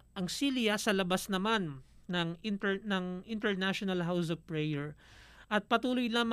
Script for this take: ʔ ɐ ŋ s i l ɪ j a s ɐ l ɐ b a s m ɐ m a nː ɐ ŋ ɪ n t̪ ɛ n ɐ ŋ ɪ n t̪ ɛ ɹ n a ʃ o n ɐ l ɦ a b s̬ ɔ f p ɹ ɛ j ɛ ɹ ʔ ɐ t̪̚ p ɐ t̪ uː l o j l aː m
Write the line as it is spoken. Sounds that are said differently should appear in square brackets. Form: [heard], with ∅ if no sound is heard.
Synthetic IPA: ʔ ɐ ŋ s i l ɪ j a s ɐ l ɐ b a s [n] ɐ m a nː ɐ ŋ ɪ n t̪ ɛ n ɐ ŋ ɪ n t̪ ɛ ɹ n a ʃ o n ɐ l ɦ a [w] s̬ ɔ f p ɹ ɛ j ɛ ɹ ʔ ɐ t̪̚ p ɐ t̪ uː l o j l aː m